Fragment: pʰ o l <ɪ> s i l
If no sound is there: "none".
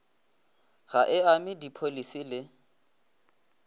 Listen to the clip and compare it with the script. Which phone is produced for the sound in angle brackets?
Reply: i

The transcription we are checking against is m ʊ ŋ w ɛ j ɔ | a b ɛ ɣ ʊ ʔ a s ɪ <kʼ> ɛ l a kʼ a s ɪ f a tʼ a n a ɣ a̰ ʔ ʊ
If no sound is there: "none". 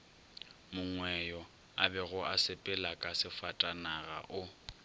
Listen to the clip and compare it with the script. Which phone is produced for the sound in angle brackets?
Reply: pʼ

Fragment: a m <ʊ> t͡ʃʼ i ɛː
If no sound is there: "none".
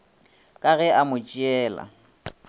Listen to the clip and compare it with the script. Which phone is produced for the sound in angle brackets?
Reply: ʊ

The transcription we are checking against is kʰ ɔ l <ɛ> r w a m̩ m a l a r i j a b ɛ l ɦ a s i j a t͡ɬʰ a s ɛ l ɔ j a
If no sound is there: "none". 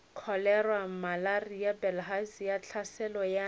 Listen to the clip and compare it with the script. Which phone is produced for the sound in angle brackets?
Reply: ɛ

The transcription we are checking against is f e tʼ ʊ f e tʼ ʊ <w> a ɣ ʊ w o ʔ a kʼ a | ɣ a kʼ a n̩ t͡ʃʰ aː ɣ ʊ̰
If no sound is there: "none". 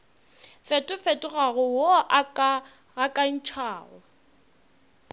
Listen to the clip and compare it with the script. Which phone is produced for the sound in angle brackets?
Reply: ɣ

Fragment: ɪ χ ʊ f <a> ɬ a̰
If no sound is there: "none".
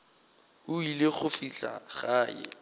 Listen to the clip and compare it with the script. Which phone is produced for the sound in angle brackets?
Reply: i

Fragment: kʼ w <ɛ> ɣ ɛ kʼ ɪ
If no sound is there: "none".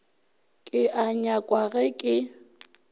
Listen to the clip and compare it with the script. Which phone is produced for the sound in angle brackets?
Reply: a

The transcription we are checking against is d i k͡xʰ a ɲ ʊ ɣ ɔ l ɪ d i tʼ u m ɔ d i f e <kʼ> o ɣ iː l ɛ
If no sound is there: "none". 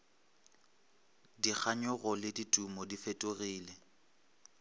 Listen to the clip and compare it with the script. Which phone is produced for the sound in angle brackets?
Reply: tʼ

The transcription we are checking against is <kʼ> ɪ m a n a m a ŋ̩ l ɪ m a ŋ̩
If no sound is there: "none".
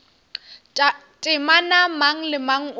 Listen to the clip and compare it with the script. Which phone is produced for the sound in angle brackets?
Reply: tʼ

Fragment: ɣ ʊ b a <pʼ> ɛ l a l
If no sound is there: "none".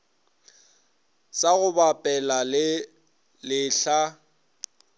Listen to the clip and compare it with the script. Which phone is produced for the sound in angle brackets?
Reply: pʼ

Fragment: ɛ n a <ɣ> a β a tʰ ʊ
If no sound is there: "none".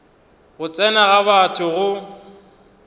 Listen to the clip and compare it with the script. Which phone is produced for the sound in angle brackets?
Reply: ɣ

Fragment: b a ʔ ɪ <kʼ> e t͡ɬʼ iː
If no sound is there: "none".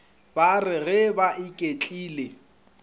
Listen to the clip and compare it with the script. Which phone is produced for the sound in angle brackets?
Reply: kʼ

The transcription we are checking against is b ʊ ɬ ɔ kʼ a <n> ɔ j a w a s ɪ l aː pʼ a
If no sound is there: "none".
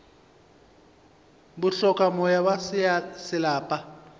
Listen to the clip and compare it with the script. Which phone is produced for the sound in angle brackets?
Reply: m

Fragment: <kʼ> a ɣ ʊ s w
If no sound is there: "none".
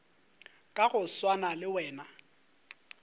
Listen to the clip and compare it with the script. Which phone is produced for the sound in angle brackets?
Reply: kʼ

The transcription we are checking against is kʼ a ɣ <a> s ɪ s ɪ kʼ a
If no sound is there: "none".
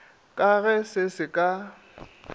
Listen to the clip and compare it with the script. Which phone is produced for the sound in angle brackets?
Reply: ɛ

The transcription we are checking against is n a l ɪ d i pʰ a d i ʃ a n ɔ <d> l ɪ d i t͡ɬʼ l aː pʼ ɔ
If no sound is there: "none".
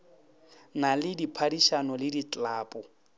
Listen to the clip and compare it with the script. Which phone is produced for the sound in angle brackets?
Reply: none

